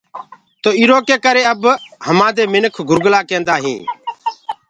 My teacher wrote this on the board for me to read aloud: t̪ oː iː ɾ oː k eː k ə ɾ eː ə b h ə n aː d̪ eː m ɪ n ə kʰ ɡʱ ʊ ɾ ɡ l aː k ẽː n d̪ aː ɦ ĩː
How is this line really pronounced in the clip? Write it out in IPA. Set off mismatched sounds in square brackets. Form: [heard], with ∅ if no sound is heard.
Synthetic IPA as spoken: t̪ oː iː ɾ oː k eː k ə ɾ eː ə b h ə [m] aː d̪ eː m ɪ n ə kʰ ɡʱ ʊ ɾ ɡ l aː k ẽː n d̪ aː ɦ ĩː